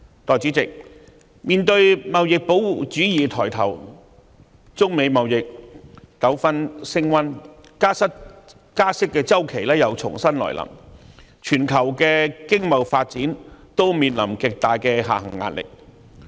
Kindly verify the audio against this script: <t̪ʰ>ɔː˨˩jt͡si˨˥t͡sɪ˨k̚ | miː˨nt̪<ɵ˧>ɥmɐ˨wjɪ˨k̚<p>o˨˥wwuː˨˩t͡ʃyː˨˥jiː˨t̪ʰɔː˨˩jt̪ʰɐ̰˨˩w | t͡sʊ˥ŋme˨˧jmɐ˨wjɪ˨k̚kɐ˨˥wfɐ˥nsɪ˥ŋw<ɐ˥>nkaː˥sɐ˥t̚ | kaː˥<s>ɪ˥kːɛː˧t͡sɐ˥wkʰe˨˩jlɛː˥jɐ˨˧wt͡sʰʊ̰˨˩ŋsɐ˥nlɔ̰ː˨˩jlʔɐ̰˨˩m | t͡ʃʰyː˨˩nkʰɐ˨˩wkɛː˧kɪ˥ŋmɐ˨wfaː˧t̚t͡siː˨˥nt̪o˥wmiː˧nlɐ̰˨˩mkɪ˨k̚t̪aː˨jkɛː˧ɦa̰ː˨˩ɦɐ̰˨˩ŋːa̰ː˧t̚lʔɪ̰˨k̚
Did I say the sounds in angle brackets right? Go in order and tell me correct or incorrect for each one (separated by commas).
incorrect, correct, correct, correct, correct